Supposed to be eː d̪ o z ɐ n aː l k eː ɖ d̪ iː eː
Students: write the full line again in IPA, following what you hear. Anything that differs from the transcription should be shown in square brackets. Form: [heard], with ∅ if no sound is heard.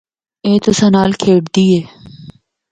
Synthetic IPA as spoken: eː [t̪] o [s] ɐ n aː l [kʰ] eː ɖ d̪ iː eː